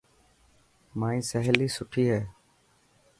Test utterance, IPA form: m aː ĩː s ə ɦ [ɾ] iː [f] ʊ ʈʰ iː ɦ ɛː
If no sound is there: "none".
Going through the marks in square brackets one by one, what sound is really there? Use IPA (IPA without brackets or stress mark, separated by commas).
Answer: l, s